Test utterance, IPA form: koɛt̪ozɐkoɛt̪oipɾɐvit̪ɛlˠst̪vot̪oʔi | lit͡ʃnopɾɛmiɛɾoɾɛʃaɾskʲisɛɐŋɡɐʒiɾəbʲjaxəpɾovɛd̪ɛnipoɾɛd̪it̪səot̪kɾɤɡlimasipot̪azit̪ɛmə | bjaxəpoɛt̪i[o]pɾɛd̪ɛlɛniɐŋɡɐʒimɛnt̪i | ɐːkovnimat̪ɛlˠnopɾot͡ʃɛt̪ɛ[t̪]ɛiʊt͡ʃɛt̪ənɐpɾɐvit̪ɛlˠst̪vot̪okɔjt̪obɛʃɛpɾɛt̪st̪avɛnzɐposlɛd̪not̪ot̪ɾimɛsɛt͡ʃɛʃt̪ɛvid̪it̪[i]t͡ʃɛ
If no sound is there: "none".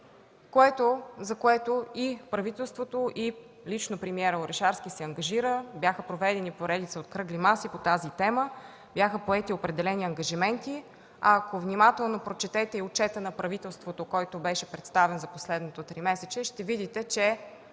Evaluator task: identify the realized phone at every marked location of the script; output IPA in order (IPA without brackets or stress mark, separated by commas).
o, t̪, ɛ